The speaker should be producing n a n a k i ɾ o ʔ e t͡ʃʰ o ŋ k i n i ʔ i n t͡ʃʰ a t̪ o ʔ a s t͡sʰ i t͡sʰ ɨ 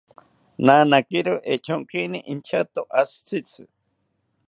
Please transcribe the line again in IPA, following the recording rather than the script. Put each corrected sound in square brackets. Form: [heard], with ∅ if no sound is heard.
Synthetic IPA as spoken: n a n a k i ɾ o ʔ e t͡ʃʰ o ŋ k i n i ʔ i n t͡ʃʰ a t̪ o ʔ a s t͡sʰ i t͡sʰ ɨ